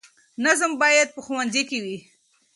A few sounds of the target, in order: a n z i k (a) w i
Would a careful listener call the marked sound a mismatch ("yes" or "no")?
yes